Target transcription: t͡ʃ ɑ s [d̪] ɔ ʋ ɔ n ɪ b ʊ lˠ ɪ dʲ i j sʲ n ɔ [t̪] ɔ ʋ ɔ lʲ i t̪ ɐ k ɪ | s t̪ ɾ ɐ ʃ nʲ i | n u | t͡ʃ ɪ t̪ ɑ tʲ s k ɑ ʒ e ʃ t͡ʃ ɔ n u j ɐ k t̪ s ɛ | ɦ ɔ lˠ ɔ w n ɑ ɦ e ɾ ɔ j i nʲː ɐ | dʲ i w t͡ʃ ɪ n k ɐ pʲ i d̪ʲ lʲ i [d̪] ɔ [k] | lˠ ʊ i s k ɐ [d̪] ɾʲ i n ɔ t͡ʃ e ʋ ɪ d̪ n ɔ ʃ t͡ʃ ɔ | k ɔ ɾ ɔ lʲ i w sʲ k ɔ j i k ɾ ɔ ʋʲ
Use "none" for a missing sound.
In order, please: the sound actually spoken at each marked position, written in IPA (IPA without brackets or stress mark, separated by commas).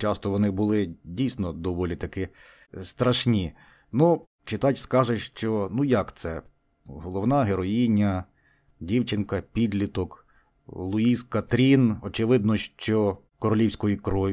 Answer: t̪, d̪, t̪, k, t̪